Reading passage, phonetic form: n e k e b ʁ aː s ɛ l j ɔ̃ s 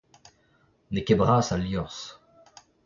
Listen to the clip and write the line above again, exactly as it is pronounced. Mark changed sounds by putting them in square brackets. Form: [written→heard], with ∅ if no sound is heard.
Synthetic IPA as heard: n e k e b ʁ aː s [ɛ→a] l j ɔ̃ s